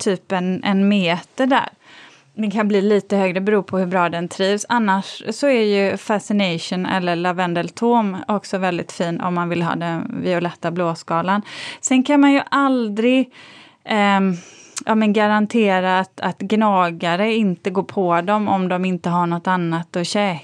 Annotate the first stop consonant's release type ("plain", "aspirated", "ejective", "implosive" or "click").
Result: aspirated